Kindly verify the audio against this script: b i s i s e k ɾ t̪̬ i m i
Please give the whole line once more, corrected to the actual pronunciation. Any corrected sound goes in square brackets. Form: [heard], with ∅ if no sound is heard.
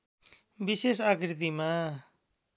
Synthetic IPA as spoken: b i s [e] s [a] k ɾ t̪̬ i m [a]